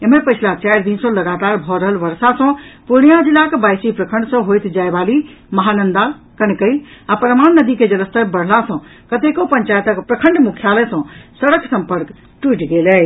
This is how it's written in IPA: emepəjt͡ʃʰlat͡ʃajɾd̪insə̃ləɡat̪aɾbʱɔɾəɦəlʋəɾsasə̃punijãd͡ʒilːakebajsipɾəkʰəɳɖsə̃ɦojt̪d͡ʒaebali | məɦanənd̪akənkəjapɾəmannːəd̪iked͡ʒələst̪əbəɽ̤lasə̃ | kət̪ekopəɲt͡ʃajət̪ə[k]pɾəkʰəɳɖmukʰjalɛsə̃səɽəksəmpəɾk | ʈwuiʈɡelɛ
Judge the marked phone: correct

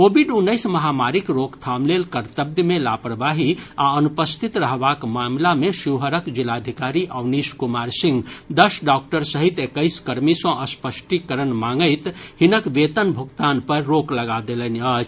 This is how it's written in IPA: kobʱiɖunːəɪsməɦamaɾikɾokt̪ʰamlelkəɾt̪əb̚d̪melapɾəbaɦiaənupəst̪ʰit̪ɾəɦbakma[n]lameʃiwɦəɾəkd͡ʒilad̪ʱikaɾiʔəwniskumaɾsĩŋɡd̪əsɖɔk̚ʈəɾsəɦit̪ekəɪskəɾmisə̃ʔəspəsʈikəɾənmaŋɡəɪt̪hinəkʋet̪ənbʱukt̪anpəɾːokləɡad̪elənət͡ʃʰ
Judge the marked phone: incorrect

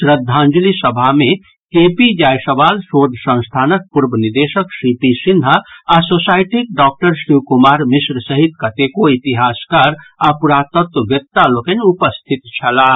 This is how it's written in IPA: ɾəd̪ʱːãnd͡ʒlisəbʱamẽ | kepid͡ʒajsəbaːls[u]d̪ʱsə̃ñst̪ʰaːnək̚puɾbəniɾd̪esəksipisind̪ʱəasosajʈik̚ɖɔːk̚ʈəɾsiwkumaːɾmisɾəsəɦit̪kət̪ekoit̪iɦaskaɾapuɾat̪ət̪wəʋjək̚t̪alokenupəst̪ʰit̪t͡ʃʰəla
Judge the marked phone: incorrect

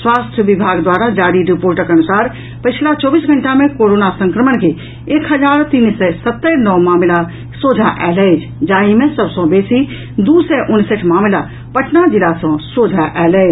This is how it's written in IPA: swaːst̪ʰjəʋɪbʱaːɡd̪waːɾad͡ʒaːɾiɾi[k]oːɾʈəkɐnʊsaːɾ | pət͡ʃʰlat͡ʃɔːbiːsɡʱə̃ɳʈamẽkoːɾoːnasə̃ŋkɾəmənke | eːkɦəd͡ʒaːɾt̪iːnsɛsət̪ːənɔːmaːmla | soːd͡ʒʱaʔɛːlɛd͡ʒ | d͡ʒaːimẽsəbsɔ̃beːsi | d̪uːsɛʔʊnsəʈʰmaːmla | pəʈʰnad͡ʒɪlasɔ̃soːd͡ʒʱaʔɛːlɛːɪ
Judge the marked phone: incorrect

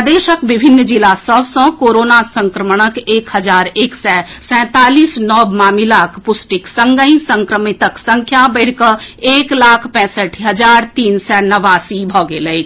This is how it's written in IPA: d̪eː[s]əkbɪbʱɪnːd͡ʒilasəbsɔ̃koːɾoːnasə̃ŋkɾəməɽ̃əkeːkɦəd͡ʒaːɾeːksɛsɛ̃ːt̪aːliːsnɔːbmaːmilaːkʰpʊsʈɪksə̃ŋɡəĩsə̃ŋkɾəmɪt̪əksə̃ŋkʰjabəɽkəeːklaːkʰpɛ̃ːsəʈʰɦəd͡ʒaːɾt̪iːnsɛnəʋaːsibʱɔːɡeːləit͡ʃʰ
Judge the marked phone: incorrect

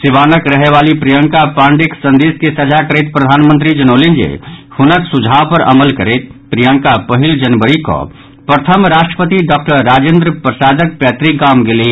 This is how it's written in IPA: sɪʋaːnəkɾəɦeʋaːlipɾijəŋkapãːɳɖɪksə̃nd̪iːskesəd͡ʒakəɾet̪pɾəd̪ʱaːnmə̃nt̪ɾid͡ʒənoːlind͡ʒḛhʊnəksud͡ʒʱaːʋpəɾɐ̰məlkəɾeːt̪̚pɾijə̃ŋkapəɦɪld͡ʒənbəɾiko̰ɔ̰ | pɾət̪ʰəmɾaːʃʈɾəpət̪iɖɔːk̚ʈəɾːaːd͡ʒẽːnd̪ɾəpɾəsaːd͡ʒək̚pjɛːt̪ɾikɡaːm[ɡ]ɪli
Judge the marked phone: correct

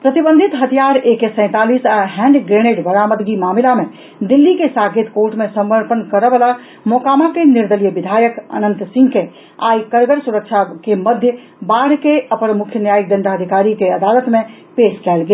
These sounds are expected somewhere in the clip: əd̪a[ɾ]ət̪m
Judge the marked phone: incorrect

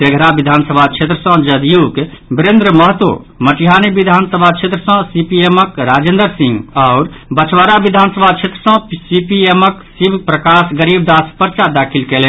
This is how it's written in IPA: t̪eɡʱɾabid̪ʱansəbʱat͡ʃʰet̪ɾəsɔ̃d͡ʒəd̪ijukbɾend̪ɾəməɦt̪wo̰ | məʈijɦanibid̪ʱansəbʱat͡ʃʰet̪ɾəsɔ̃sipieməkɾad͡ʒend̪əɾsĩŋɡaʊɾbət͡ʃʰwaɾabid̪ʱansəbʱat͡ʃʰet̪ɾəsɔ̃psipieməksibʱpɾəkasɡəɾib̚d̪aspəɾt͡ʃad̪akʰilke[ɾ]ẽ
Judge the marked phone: incorrect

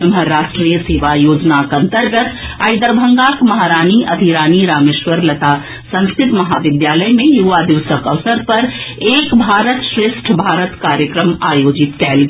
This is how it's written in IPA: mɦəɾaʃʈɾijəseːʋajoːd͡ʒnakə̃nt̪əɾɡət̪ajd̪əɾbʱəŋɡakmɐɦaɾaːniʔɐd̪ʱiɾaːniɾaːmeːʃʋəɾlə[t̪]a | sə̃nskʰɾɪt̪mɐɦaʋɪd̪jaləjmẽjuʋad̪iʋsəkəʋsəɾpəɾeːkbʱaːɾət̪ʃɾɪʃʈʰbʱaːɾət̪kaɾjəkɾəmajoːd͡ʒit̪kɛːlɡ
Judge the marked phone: correct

